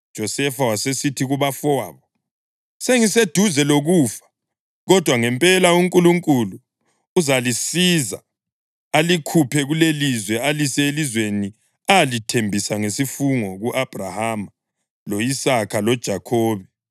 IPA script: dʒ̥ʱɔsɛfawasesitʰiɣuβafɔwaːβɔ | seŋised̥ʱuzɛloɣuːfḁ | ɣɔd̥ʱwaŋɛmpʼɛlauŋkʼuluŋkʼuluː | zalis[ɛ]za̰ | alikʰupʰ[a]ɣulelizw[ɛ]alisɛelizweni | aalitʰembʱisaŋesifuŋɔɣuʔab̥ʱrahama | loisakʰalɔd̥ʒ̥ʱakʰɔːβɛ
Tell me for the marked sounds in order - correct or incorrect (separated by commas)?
incorrect, incorrect, correct